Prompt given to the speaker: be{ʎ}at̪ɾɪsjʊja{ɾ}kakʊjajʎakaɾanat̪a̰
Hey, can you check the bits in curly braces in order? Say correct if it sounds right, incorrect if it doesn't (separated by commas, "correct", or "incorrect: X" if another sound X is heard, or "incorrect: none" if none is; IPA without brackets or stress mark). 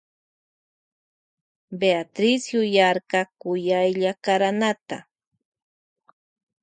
incorrect: none, correct